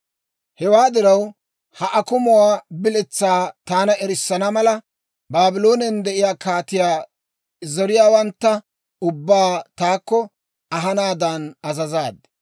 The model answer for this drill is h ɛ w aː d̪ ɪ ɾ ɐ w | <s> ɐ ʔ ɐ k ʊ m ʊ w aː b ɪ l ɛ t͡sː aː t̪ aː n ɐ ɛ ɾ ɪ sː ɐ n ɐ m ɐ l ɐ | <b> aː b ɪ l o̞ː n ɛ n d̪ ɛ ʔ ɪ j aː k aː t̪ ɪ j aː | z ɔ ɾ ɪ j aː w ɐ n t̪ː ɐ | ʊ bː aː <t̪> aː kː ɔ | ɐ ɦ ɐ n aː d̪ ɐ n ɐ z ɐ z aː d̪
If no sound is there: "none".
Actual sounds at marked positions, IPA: h, b, t̪

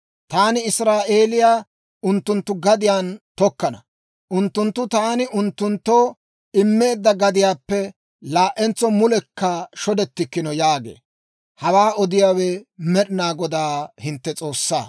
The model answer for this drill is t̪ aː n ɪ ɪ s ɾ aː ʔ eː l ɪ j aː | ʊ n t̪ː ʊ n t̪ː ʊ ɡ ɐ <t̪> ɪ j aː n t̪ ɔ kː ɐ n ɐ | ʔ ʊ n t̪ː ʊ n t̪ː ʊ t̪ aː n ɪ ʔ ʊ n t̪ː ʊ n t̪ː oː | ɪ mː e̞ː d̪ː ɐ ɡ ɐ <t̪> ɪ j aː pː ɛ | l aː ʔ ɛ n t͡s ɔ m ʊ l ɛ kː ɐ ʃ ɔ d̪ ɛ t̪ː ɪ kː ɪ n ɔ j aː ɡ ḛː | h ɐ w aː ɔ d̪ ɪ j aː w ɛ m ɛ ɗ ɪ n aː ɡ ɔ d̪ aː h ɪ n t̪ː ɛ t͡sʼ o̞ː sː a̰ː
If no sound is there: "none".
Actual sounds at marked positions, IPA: d̪, d̪

